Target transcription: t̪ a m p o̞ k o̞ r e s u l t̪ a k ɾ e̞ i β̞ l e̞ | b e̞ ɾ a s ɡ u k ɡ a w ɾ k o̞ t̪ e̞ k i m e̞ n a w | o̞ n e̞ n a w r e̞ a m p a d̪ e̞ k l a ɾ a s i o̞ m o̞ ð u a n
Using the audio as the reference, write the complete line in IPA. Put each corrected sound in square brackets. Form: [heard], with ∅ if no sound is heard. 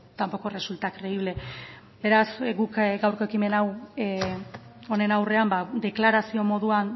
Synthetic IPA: t̪ a m p o̞ k o̞ r e s u l t̪ a k ɾ e̞ i β̞ l e̞ | b e̞ ɾ a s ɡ u k ɡ a w ɾ k o̞ [∅] e̞ k i m e̞ n a w | o̞ n e̞ n a w r e̞ a m [b] a d̪ e̞ k l a ɾ a s i o̞ m o̞ ð u a n